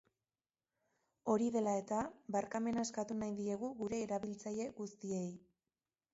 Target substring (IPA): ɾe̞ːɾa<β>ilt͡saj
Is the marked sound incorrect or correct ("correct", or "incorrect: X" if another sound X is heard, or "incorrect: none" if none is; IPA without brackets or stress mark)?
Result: correct